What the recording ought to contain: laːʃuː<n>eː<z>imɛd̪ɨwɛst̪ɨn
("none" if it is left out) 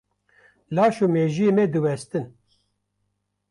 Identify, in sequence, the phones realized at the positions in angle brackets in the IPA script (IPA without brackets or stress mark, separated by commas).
m, ʒ